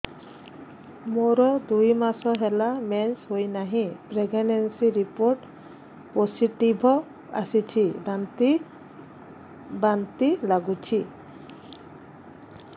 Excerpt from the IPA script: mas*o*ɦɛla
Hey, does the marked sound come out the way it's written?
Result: no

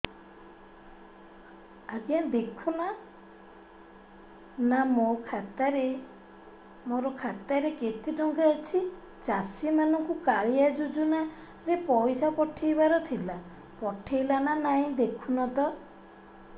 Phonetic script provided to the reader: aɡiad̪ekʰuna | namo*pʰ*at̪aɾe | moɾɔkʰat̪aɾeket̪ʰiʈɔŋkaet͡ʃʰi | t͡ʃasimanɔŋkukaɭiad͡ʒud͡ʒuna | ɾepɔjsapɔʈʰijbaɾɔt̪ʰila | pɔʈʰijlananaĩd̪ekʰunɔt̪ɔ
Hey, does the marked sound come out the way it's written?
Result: no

